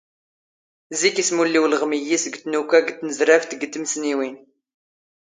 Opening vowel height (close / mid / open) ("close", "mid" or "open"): close